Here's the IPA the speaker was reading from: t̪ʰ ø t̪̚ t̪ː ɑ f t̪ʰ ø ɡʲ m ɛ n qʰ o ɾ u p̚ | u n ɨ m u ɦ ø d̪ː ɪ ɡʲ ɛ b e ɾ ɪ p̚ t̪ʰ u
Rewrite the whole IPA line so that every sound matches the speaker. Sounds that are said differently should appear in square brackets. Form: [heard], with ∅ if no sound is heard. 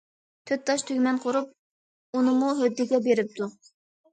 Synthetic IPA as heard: t̪ʰ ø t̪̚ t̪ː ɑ [ʃ] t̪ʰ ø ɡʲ m ɛ n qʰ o ɾ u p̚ | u n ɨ m u ɦ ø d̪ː ɪ ɡʲ ɛ b e ɾ ɪ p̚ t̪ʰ u